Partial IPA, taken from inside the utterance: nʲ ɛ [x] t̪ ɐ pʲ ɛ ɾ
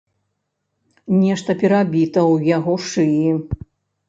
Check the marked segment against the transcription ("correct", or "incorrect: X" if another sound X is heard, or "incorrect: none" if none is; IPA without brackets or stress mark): incorrect: ʂ